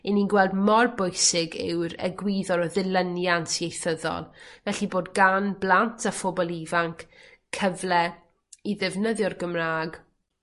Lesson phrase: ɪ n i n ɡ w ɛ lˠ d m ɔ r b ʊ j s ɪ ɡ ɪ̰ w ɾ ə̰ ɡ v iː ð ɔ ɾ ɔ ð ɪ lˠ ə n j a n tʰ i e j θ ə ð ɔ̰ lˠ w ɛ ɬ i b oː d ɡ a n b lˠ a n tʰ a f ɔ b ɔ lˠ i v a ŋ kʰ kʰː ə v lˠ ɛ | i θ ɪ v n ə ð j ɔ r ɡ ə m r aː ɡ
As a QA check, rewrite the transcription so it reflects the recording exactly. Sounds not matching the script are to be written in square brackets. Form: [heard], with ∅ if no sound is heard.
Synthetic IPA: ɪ n i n ɡ w ɛ lˠ d m ɔ r b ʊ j s ɪ ɡ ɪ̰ w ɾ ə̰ ɡ [w] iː ð ɔ ɾ ɔ ð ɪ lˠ ə n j a n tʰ i e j θ ə ð ɔ̰ lˠ [v] ɛ ɬ i b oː d ɡ a n b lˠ a n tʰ a f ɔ b ɔ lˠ i v a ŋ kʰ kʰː ə v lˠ ɛ | i [ð] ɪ v n ə ð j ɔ r ɡ ə m r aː ɡ